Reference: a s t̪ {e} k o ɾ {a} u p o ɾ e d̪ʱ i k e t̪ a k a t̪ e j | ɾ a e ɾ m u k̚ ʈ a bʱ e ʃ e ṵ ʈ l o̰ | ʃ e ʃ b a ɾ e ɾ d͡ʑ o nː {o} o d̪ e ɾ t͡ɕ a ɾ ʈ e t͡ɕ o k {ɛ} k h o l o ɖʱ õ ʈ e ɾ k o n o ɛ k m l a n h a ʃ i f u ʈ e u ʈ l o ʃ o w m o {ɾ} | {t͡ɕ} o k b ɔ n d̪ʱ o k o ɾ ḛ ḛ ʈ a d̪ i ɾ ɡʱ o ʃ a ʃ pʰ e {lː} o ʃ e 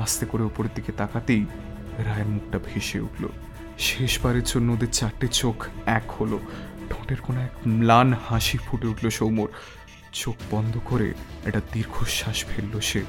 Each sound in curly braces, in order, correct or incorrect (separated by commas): correct, incorrect, correct, correct, correct, correct, correct